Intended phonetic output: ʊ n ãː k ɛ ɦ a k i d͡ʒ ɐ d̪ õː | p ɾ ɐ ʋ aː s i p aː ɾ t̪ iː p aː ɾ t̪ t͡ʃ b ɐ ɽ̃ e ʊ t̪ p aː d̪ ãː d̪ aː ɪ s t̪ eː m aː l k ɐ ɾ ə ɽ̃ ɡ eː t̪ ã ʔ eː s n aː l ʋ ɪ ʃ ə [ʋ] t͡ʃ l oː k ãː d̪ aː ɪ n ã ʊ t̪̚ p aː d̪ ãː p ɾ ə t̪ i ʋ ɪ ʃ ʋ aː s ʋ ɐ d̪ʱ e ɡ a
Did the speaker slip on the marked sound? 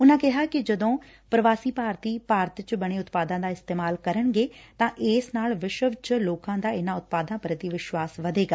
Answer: no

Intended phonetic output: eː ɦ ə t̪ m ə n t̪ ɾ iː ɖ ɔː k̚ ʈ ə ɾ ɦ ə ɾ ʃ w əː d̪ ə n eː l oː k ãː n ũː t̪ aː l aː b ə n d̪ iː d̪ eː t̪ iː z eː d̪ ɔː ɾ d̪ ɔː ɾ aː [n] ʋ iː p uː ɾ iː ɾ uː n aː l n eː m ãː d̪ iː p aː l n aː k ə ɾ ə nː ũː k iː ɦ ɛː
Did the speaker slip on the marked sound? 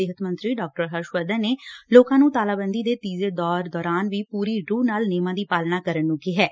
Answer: no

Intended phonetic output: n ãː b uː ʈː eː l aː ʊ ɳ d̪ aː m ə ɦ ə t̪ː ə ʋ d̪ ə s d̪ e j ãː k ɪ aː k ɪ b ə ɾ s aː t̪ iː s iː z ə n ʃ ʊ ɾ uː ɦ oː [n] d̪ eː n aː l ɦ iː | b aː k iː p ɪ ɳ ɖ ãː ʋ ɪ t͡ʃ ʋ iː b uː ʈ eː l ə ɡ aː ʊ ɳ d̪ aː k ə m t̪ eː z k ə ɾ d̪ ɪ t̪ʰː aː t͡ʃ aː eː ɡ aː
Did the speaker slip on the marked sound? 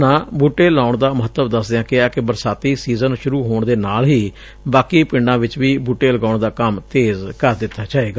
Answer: yes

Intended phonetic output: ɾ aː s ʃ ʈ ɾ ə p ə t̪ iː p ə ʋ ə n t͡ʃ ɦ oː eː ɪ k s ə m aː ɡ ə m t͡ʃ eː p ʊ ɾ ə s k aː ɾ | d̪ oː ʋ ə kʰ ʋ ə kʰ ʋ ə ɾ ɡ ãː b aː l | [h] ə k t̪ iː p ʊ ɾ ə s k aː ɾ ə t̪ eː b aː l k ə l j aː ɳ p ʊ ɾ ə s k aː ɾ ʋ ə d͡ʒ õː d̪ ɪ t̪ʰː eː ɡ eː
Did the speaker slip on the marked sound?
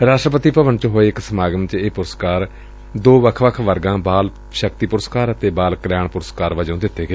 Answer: yes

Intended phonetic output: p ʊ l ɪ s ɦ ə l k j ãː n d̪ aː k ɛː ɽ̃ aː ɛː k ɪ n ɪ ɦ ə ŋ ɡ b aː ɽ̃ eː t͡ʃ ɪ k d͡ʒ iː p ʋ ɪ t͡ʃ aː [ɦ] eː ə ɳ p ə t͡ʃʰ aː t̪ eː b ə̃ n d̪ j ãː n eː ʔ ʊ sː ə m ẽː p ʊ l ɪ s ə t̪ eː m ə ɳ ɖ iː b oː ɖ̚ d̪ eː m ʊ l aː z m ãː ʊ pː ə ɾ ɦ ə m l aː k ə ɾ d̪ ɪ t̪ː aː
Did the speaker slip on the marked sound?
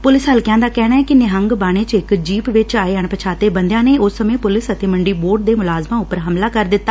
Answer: yes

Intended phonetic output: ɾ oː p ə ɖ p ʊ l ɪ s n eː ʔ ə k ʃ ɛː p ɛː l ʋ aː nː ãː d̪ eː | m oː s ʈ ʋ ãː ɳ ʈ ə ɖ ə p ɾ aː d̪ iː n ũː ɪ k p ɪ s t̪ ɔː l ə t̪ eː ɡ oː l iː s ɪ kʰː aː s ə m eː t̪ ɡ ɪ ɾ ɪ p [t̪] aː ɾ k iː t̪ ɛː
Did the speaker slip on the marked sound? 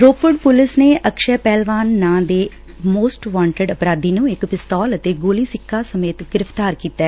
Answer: no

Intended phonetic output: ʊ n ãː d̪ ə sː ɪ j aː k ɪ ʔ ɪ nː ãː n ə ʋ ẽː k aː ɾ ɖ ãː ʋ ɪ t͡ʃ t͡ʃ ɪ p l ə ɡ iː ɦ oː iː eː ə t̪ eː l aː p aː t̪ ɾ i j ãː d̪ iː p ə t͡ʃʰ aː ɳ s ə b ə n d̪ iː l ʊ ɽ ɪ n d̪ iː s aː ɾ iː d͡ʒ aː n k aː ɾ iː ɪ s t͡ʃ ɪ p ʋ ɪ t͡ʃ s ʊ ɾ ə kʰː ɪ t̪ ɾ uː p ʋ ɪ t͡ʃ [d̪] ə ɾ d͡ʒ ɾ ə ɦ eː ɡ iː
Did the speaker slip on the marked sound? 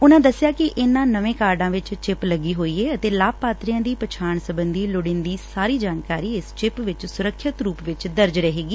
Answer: no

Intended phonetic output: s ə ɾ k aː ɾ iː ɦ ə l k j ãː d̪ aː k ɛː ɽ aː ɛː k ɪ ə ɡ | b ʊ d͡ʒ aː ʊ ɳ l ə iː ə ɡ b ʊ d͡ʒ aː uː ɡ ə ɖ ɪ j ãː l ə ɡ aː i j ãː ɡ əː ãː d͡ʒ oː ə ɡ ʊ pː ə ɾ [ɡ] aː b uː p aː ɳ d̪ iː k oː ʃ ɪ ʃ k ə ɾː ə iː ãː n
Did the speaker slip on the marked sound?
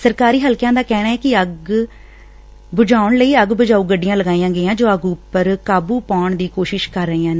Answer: yes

